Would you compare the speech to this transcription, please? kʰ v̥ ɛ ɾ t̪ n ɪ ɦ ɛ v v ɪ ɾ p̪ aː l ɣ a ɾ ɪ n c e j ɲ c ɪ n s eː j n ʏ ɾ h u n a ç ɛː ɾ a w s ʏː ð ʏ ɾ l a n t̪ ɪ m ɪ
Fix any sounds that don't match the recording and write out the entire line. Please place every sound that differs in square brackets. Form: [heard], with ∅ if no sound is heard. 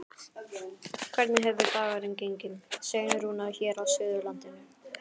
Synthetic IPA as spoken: kʰ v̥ ɛ ɾ t̪ n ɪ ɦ ɛ v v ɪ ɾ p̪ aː [∅] ɣ a ɾ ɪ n c e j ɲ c ɪ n s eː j n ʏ ɾ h u n a ç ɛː ɾ a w s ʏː ð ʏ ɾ l a n t̪ ɪ [n] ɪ